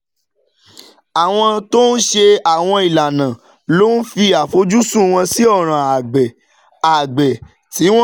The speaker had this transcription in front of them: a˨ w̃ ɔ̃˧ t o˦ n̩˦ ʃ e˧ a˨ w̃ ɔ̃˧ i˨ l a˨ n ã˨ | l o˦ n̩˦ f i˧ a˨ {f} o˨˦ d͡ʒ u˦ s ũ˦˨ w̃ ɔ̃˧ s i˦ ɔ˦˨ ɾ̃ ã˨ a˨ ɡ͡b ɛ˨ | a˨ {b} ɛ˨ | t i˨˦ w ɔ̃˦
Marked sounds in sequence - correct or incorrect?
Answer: correct, incorrect: ɡ͡b

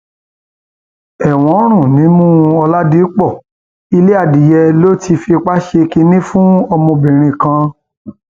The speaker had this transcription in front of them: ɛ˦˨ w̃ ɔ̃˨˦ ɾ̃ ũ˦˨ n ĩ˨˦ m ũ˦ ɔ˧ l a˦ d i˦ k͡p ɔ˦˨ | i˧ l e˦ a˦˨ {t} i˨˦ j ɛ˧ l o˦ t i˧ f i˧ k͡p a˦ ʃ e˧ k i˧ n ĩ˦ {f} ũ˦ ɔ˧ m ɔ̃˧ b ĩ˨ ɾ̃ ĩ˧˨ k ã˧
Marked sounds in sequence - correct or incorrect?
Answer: incorrect: d, correct

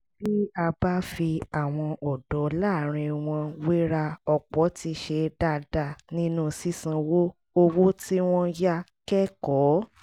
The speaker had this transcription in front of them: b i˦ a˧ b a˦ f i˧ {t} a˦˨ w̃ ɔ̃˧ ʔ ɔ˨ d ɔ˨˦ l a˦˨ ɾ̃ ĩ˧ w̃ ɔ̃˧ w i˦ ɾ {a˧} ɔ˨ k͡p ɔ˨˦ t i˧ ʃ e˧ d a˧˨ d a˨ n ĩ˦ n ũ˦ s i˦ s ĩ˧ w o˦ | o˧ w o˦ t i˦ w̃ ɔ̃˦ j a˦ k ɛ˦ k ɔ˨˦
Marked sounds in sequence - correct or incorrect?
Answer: incorrect: none, correct

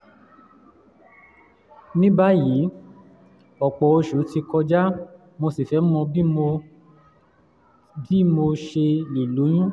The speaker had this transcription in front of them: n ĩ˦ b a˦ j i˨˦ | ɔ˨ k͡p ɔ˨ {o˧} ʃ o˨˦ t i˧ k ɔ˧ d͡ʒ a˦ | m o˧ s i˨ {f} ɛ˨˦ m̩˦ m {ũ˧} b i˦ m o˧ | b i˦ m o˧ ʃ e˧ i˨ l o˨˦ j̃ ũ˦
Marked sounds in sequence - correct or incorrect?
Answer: correct, correct, incorrect: ɔ̃˧

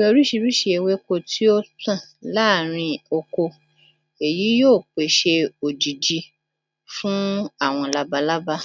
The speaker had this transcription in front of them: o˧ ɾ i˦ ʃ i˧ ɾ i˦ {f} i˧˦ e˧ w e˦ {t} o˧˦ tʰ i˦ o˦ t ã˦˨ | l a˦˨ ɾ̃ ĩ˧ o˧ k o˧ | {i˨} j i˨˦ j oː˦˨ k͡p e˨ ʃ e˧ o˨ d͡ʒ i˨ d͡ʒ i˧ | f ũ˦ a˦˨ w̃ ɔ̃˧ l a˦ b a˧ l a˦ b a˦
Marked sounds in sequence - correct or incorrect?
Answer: incorrect: ʃ, incorrect: k, incorrect: e˨

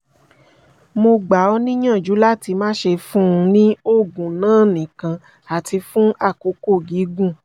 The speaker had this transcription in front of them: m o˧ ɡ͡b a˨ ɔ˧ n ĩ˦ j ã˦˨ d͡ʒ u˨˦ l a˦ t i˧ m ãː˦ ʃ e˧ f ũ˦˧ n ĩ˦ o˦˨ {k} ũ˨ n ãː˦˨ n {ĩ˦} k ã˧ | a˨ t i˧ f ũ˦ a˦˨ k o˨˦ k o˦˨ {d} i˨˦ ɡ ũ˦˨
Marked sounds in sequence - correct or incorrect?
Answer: incorrect: ɡ, incorrect: ĩ˨, incorrect: ɡ

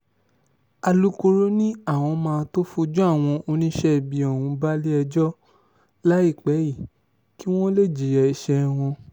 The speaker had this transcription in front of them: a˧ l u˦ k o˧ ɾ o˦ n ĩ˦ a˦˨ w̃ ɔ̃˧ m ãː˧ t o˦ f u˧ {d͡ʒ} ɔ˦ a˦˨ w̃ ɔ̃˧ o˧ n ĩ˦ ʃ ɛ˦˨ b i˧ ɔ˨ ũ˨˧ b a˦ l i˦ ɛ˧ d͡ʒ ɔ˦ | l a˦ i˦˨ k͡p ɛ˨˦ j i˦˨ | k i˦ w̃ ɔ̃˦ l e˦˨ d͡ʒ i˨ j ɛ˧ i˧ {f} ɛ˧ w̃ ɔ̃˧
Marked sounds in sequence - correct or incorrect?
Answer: correct, incorrect: ʃ

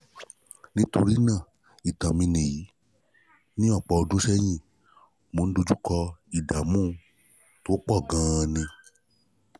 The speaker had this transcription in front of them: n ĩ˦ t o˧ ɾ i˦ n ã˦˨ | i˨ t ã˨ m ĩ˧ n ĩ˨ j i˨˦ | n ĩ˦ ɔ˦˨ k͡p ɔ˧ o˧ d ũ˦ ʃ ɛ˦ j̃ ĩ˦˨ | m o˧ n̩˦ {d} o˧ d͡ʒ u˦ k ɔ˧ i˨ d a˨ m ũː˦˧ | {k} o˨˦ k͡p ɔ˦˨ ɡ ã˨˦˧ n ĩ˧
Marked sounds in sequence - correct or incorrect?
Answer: correct, incorrect: t

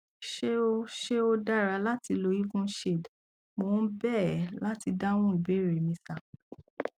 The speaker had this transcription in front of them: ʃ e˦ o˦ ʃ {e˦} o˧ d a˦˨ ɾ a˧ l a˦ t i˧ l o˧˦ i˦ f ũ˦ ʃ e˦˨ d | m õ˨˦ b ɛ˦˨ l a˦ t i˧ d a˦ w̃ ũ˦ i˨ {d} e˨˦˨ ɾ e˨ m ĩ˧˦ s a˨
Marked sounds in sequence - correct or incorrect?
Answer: correct, incorrect: b

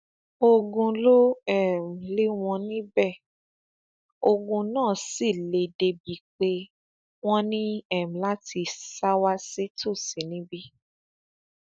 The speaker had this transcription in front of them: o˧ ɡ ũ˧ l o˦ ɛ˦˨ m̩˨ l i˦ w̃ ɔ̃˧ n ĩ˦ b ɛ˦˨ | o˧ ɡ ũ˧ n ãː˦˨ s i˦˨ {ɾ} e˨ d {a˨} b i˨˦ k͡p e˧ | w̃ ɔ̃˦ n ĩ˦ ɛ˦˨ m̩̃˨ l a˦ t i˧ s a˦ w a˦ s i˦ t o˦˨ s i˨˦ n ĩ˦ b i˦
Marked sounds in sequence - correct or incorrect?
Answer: incorrect: l, incorrect: e˨

